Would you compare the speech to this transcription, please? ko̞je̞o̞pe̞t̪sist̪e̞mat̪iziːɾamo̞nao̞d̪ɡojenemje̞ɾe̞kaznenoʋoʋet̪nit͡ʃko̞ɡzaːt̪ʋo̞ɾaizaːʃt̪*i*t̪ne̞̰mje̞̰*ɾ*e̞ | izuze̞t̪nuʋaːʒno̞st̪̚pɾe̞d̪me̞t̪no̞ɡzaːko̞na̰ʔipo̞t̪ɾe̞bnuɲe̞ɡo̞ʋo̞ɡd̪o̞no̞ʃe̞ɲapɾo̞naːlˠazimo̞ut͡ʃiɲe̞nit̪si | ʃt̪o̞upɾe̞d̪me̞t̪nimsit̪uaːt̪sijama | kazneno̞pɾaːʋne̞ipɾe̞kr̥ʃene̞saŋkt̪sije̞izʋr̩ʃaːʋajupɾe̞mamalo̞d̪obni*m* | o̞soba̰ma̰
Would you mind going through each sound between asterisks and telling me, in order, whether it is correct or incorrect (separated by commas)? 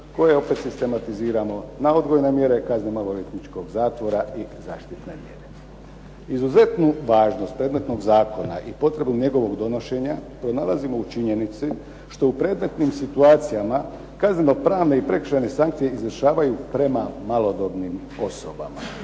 correct, correct, correct